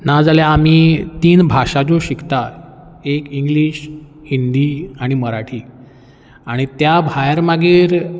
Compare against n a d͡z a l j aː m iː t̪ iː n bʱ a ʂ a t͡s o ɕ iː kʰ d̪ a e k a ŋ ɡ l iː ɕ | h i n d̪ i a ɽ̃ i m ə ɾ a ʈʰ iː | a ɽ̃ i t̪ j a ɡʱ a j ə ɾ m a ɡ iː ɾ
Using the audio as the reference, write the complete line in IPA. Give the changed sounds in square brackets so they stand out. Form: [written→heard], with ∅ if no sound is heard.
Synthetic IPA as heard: n a d͡z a l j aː m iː t̪ iː n bʱ a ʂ a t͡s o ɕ [iː→i] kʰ [d̪→t̪] a e k [a→i] ŋ ɡ l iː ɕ | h i n d̪ i a ɽ̃ i m ə ɾ a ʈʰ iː | a ɽ̃ i t̪ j a [ɡʱ→bʱ] a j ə ɾ m a ɡ iː ɾ